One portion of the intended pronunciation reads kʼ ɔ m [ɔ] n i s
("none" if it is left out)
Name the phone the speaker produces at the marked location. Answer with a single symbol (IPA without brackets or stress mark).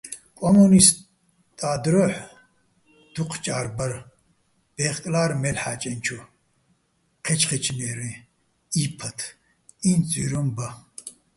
u